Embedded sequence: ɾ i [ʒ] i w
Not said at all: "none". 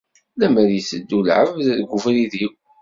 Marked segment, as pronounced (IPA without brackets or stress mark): ð